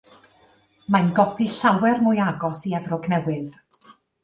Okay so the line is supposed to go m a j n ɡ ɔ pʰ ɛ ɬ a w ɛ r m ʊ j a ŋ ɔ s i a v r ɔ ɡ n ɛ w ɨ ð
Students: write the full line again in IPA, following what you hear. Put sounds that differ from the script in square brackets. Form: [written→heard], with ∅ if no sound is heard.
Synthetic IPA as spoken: m a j n ɡ ɔ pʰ [ɛ→i] ɬ a w ɛ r m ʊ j a [ŋ→ɡ] ɔ s i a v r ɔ ɡ n ɛ w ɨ ð

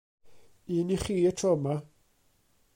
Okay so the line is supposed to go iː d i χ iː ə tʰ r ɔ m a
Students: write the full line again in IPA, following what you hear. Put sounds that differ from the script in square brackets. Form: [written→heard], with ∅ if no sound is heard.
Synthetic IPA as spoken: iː [d→n] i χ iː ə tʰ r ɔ m a

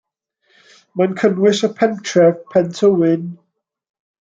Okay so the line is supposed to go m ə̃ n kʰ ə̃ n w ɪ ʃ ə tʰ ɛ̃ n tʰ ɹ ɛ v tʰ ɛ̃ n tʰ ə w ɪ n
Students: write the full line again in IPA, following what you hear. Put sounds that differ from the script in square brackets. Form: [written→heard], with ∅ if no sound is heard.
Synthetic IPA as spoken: m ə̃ n kʰ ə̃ n w ɪ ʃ ə [tʰ→pʰ] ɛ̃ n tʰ ɹ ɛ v [tʰ→pʰ] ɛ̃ n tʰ ə w ɪ n

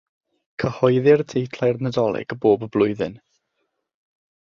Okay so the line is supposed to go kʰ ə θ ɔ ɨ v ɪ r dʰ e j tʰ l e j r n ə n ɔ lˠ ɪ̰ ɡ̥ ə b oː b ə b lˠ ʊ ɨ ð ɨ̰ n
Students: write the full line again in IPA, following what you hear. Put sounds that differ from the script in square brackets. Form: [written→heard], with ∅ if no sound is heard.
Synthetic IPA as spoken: kʰ ə [θ→h] ɔ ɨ [v→ð] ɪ r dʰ e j tʰ l [e→a] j r n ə [n→d] ɔ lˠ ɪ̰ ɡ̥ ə b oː b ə b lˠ ʊ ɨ ð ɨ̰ n

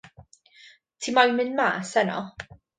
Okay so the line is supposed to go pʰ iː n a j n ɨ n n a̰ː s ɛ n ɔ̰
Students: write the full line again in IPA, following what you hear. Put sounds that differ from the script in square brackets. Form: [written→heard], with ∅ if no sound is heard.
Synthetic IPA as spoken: [pʰ→tʰ] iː [n→m] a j [n→m] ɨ n [n→m] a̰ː s ɛ n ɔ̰

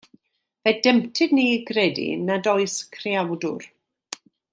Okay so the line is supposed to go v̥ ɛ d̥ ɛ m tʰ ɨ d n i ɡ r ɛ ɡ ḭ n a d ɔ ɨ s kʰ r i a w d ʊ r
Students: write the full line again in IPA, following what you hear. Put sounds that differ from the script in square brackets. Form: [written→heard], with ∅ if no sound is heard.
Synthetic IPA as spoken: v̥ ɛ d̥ ɛ m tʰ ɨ d n i ɡ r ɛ [ɡ→d] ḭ n a d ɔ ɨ s kʰ r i a w d ʊ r

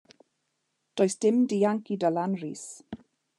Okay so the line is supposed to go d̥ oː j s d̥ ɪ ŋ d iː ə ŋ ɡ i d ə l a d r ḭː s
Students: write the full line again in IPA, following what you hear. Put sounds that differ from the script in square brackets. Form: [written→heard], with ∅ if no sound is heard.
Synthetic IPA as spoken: d̥ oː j s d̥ ɪ [ŋ→m] d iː [ə→a] ŋ [ɡ→k] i d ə l a [d→n] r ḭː s

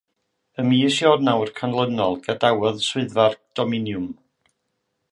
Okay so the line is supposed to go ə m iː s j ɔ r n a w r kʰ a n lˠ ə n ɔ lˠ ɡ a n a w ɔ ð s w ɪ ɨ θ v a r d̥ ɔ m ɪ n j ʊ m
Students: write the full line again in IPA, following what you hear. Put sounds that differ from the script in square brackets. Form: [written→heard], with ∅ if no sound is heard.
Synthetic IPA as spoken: ə m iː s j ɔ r n a w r kʰ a n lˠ ə n ɔ lˠ ɡ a [n→d] a w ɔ ð s w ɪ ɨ [θ→ð] v a r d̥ ɔ m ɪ n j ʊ m

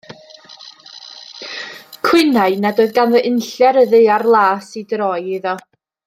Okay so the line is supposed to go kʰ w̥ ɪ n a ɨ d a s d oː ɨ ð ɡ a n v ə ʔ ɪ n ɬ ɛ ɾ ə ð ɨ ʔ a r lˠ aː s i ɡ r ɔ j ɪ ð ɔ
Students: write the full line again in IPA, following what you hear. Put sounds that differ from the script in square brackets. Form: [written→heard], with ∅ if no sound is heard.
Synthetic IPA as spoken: kʰ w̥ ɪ n a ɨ [d→n] a [s→∅] d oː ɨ ð ɡ a n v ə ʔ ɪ n ɬ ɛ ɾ ə ð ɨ [ʔ→∅] a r lˠ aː s i [ɡ→d] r ɔ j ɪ ð ɔ

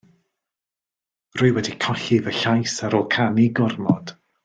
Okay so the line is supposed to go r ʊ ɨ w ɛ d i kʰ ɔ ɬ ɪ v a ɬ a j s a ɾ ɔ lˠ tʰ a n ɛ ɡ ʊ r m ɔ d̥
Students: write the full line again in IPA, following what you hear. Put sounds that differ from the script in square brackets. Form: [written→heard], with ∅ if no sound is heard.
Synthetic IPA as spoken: r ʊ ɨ w ɛ d i kʰ ɔ ɬ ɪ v [a→ə] ɬ a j s a ɾ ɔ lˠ [tʰ→kʰ] a n [ɛ→i] ɡ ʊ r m ɔ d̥

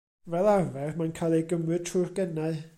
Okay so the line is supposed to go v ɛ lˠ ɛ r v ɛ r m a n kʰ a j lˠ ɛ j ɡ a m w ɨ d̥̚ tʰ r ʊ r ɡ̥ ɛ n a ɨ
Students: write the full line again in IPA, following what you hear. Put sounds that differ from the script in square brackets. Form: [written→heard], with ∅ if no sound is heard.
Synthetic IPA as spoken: v ɛ lˠ [ɛ→a] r v ɛ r m a n kʰ a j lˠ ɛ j ɡ [a→ə] m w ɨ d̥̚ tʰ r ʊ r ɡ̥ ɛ n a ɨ

